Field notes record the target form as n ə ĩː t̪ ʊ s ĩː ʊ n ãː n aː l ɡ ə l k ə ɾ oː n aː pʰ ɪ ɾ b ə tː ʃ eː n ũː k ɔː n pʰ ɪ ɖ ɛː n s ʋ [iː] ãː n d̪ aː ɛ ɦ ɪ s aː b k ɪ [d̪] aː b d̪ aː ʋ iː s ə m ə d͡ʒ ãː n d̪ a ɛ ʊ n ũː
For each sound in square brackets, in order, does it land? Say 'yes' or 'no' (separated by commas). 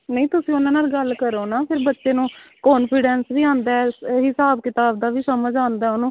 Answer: yes, no